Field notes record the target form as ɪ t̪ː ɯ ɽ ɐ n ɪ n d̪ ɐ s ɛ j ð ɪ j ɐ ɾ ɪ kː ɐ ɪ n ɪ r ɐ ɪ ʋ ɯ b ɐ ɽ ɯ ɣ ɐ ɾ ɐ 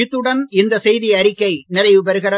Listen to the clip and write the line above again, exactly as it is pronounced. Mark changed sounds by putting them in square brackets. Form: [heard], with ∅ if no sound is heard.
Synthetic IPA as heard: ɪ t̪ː ɯ ɽ ɐ n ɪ n d̪ ɐ s ɛ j ð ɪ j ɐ ɾ ɪ kː ɐ ɪ n ɪ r ɐ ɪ ʋ ɯ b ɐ [ɾ] ɯ ɣ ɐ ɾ ɐ